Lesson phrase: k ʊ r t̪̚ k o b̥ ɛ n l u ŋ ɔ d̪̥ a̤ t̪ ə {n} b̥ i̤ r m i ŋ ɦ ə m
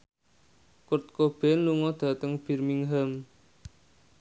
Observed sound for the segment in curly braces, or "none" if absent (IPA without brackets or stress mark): ŋ